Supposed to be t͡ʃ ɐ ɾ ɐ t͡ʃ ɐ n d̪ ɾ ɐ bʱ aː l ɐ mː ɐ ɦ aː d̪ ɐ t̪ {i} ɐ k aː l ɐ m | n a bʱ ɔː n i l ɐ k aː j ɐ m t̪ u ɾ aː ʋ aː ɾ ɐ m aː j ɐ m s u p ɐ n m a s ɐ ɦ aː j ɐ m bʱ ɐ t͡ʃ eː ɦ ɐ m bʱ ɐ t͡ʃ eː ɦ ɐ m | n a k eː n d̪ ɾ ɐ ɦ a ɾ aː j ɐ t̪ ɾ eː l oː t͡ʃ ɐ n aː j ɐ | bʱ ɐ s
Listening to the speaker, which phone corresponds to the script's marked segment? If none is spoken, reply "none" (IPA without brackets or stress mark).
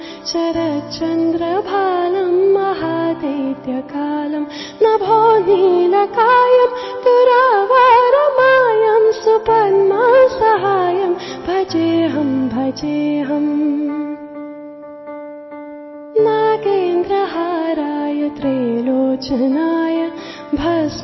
j